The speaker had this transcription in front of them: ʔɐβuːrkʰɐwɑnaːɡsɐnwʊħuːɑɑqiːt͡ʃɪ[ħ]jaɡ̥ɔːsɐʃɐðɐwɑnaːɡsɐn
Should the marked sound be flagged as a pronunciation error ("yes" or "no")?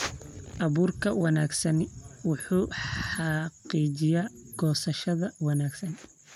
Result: yes